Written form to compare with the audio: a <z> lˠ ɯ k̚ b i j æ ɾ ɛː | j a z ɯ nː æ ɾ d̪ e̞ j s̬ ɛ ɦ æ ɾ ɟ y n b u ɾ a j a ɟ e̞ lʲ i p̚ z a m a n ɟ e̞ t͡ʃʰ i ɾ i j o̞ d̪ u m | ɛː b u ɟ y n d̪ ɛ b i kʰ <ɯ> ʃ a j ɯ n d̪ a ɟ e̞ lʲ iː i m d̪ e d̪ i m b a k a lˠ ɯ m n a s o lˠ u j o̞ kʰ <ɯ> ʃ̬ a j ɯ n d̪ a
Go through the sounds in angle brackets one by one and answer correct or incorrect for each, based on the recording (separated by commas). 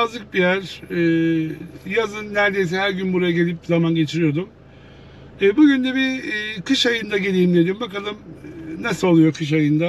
correct, correct, correct